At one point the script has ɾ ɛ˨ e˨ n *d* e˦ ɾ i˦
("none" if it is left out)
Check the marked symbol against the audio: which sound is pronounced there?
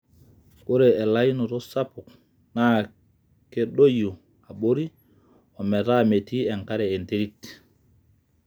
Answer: t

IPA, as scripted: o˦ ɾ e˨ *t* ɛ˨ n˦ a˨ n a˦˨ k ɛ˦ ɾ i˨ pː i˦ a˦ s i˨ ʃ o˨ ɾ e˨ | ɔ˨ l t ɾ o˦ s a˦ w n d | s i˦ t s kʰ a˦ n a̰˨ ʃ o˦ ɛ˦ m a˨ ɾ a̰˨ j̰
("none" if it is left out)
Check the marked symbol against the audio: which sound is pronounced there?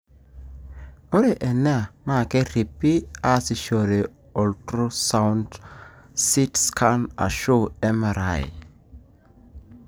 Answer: ʔ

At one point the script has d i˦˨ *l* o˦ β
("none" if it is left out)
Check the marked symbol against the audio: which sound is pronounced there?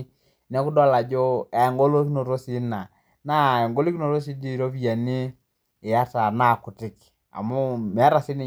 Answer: ɾ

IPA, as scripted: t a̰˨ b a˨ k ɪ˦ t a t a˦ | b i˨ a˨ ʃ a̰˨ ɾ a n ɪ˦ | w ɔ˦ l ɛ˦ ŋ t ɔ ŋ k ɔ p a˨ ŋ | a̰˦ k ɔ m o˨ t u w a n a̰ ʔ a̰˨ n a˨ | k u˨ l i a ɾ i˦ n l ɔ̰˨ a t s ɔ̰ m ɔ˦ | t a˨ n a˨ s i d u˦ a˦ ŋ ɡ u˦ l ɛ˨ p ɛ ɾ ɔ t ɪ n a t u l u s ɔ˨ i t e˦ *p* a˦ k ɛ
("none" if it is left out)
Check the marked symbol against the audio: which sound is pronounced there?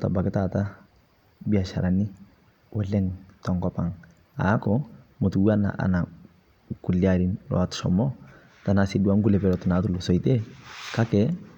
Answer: k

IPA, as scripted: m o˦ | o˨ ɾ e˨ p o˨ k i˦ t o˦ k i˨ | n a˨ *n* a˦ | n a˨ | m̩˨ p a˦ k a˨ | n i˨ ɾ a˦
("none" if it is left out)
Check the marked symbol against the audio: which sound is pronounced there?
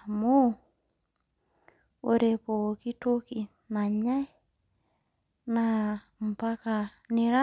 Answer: ɲ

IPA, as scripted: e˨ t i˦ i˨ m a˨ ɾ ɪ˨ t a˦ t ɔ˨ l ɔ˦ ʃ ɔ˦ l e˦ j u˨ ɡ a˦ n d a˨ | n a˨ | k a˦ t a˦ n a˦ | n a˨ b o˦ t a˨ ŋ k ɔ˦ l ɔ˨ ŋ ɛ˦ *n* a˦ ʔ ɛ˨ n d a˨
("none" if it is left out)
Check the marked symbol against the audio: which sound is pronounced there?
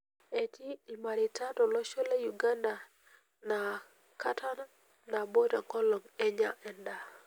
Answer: ɲ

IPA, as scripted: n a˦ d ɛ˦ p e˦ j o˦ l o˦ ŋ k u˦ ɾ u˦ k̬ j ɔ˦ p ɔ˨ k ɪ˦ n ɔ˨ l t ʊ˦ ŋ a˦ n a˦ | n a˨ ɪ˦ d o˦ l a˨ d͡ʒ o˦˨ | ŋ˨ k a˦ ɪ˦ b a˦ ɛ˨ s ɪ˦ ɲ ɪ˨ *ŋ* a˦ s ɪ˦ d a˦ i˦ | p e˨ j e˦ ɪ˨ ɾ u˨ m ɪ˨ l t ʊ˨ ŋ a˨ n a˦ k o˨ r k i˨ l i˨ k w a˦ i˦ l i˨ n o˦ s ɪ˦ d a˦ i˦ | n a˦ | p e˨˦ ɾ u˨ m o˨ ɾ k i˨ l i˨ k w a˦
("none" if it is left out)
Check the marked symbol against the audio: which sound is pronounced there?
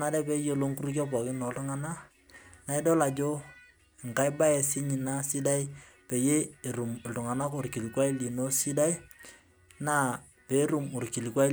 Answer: n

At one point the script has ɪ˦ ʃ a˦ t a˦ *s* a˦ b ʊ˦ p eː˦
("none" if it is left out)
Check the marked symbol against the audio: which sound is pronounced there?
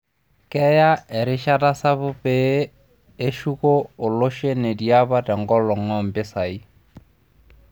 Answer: s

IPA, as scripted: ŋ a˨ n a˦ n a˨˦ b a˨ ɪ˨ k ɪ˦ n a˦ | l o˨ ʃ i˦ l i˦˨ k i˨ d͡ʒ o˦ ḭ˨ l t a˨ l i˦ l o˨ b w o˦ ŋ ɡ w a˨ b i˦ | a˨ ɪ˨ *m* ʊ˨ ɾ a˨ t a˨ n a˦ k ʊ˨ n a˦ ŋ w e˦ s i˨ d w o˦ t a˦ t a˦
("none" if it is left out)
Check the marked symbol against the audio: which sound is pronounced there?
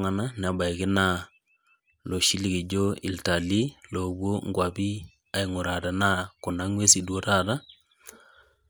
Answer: ŋ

